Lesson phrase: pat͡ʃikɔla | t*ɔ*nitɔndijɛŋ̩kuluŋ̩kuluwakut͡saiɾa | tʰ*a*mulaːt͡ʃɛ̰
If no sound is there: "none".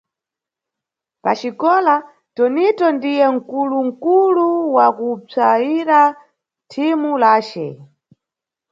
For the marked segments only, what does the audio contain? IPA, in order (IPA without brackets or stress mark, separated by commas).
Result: ɔ, i